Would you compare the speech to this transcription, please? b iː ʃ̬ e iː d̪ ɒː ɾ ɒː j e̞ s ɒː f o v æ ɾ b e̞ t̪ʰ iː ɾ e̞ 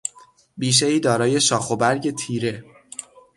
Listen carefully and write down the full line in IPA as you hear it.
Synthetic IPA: b iː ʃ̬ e iː d̪ ɒː ɾ ɒː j e̞ ʃ ɒː x o b æ ɾ ɟ e̞ t̪ʰ iː ɾ e̞